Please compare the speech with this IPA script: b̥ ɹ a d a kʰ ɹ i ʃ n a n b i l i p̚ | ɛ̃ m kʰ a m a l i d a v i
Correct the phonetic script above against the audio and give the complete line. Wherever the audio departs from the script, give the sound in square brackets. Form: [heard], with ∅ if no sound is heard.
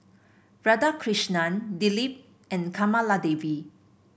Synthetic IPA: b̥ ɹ a d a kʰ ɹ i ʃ n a n [d] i l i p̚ | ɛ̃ [n] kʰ a m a l [a] d [e] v i